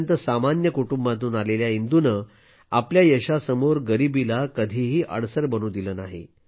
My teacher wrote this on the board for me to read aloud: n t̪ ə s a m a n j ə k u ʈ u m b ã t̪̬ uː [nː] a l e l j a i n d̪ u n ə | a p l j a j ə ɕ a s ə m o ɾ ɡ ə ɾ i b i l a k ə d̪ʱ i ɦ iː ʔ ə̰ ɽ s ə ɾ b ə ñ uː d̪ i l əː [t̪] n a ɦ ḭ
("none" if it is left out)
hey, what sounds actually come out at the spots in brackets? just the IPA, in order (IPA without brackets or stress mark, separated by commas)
n, none